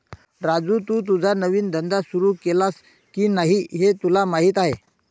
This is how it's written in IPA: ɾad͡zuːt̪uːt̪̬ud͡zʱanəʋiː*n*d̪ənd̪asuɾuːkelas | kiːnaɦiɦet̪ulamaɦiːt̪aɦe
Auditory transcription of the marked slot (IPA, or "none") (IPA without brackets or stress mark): n